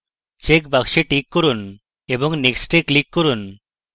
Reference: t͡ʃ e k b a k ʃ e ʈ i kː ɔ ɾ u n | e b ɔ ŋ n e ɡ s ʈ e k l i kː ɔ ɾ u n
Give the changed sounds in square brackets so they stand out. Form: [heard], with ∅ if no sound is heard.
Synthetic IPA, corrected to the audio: t͡ʃ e k b a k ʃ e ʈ i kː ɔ ɾ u n | e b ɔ ŋ n e [k] s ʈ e k l i kː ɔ ɾ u n